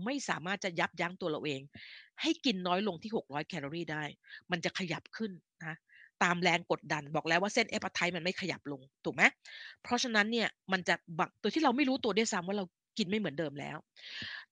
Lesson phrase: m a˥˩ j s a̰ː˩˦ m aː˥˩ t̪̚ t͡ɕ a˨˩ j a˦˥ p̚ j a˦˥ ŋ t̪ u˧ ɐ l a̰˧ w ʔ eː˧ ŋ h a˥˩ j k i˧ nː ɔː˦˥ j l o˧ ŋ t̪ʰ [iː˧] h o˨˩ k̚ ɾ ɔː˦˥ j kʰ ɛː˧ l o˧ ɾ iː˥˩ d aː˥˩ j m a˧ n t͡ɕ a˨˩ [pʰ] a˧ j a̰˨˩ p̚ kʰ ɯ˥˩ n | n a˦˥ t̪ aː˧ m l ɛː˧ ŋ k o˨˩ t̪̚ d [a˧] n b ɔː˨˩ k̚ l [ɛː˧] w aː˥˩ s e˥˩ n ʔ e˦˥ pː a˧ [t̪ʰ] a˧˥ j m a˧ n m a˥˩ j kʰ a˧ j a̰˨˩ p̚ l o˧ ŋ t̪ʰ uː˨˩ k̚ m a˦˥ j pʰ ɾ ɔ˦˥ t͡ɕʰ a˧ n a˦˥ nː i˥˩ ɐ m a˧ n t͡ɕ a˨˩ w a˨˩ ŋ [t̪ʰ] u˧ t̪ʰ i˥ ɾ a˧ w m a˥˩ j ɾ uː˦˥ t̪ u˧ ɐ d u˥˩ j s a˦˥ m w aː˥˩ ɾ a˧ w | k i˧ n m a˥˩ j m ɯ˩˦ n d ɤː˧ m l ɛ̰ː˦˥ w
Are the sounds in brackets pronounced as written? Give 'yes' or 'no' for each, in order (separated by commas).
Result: no, no, yes, no, yes, no